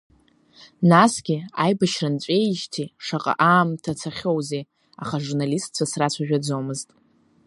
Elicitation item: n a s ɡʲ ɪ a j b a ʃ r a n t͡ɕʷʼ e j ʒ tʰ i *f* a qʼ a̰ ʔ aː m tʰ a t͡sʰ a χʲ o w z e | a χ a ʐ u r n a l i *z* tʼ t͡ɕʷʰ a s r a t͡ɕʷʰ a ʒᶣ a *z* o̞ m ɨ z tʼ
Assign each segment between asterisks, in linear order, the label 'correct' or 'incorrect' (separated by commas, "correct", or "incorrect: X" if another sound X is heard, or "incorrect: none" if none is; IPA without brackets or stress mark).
incorrect: ʂ, incorrect: s, incorrect: d͡z